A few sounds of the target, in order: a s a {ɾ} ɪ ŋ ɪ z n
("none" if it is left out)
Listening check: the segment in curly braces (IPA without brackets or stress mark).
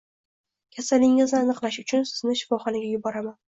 l